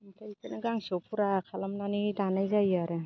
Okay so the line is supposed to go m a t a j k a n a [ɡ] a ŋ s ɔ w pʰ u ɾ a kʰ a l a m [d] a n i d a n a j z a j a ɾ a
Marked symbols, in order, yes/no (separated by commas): yes, no